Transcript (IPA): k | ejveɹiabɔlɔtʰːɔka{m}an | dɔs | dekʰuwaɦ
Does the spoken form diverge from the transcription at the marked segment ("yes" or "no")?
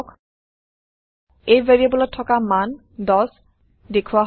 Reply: no